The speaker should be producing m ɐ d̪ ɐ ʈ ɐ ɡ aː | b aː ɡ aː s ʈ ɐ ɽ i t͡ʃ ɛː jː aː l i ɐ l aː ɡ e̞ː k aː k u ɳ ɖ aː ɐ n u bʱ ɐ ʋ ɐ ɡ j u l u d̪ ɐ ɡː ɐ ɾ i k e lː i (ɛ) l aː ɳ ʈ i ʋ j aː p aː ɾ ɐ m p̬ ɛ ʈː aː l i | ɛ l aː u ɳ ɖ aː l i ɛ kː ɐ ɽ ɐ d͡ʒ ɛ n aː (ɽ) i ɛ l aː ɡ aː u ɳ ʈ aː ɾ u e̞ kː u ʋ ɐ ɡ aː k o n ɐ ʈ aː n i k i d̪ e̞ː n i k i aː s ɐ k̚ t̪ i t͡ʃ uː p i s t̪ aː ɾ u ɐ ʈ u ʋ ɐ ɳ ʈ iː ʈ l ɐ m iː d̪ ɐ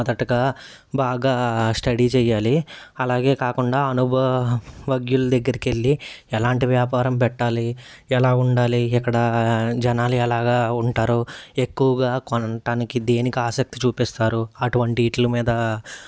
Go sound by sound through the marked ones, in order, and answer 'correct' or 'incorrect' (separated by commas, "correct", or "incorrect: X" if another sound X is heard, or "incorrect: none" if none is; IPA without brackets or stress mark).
correct, incorrect: l